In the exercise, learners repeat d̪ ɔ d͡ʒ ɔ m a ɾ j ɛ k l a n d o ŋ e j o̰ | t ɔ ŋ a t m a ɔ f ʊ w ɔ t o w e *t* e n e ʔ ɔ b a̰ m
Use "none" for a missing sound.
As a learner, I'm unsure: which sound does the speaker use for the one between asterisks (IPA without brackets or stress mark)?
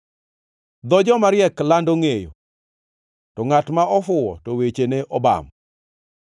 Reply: t͡ʃ